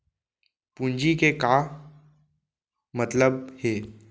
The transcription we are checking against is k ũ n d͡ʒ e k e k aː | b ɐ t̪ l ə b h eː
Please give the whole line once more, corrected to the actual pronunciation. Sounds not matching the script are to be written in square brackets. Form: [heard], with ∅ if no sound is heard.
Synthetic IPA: [p] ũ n d͡ʒ [i] k e k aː | [m] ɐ t̪ l ə b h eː